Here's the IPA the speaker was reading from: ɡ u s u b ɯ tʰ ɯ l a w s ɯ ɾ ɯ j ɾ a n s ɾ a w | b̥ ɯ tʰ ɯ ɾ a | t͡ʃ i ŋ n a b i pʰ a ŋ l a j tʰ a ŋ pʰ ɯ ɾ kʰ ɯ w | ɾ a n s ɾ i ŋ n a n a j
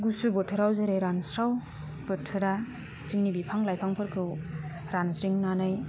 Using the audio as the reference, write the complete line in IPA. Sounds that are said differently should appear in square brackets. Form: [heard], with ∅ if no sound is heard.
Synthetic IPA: ɡ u s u b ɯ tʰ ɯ [ɾ] a w [z] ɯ ɾ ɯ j ɾ a n s ɾ a w | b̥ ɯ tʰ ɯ ɾ a | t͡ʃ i ŋ n [i] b i pʰ a ŋ l a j [pʰ] a ŋ pʰ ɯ ɾ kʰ ɯ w | ɾ a n s ɾ i ŋ n a n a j